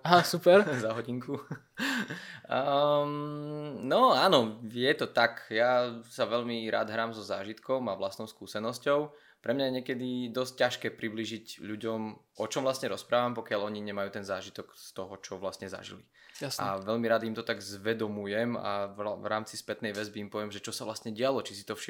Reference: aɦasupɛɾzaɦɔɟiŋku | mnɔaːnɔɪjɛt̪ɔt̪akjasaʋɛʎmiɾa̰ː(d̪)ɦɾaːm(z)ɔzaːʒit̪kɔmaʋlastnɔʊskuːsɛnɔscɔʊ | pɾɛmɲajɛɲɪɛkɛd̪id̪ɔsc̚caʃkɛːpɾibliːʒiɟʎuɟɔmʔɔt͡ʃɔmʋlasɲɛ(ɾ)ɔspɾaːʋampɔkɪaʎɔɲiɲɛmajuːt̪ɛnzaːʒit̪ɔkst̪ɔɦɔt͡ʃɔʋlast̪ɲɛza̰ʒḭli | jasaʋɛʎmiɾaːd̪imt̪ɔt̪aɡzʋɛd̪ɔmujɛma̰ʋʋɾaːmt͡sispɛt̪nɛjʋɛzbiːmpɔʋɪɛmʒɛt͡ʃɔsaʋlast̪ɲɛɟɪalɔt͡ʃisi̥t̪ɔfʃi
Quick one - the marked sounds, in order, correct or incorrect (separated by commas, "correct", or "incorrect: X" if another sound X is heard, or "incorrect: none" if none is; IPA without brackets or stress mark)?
correct, correct, correct